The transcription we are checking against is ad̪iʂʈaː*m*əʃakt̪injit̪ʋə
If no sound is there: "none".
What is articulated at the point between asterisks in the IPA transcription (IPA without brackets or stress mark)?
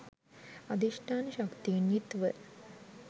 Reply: n